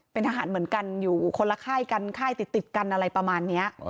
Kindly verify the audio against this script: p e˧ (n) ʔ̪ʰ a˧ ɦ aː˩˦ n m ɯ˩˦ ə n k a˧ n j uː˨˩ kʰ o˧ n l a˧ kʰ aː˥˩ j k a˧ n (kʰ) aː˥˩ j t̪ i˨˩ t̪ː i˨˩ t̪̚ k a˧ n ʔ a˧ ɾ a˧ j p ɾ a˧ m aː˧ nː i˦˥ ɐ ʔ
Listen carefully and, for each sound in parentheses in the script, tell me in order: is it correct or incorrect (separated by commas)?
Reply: correct, correct